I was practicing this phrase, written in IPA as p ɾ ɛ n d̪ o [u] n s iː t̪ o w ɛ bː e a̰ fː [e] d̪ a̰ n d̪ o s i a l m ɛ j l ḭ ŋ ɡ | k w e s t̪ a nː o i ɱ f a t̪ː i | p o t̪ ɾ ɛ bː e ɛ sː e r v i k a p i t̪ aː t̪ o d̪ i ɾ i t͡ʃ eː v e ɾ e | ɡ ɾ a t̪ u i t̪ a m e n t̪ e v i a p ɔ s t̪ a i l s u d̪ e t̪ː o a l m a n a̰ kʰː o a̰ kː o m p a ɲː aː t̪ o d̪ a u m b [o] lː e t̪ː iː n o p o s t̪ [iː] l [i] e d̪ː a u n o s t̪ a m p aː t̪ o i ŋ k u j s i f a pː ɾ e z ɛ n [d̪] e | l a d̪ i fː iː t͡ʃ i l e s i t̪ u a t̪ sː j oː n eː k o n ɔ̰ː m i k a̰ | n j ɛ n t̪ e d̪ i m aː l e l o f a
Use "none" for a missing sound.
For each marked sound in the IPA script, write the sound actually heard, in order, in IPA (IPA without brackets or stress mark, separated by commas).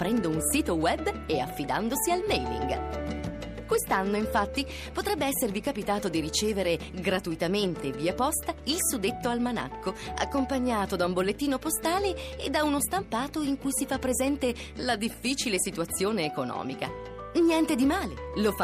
u, i, o, aː, e, t̪